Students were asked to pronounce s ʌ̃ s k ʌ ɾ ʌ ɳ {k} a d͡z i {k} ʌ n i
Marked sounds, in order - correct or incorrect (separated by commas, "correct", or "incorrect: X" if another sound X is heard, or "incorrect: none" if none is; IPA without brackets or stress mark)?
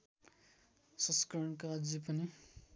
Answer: correct, incorrect: p